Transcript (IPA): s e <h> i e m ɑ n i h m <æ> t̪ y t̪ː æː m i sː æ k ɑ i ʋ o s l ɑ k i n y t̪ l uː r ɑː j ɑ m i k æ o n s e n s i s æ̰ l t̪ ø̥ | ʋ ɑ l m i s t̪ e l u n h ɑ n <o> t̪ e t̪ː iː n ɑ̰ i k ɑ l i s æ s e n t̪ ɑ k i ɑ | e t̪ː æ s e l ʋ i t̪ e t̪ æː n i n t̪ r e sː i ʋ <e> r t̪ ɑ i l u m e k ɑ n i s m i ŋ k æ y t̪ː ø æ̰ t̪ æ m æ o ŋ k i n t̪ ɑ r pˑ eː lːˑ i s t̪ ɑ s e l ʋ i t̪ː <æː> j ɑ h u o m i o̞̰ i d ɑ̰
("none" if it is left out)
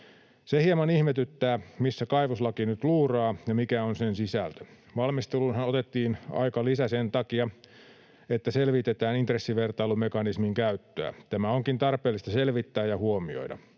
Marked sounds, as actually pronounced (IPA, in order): h, e, o, e, æː

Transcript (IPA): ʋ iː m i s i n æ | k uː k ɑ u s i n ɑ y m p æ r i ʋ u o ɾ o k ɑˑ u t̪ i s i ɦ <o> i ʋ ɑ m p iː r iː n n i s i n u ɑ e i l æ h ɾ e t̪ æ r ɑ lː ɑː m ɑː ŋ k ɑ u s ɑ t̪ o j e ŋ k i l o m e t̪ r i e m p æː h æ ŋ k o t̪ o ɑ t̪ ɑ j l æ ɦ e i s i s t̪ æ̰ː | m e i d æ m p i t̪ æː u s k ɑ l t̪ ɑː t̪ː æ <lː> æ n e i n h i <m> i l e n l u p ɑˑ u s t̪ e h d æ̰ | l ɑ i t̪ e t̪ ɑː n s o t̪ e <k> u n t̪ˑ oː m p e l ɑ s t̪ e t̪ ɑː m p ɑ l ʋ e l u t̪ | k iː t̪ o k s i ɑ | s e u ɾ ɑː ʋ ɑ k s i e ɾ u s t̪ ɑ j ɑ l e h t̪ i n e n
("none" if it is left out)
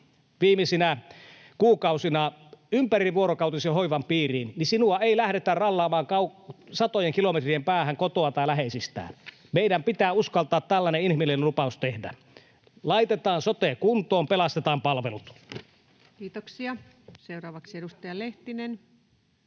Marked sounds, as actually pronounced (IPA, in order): o, lː, m, k

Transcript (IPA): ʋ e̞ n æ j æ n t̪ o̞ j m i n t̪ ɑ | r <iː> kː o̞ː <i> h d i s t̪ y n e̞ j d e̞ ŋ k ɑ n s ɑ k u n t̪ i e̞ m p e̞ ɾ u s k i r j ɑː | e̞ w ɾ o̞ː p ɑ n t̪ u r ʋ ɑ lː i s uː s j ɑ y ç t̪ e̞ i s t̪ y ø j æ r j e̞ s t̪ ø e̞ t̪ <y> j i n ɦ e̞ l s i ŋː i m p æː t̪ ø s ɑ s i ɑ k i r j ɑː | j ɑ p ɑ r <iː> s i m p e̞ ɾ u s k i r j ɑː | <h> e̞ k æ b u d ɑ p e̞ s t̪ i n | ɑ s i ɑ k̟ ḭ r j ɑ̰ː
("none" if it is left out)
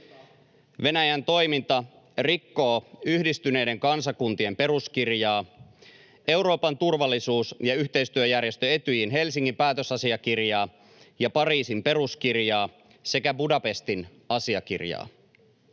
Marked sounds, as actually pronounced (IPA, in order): i, y, y, iː, s

